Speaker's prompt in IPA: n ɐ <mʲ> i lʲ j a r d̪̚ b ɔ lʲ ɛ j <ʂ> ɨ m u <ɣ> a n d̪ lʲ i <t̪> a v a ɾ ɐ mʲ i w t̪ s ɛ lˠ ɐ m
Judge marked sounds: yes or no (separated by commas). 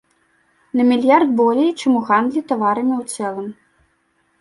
yes, no, yes, yes